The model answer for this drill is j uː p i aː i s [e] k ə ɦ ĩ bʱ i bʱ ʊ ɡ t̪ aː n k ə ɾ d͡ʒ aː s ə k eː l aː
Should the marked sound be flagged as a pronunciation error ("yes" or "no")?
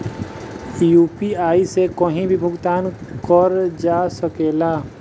no